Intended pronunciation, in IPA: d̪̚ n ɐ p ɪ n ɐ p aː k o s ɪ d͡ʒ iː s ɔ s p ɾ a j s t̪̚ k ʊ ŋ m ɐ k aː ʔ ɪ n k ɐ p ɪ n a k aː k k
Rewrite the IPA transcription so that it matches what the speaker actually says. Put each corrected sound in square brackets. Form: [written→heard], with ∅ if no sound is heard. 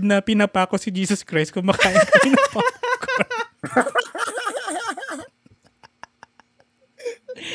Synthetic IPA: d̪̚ n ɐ p ɪ n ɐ p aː k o s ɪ d͡ʒ iː s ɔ s [p→k] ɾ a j s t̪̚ k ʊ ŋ m ɐ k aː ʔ ɪ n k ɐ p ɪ n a [k→p] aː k k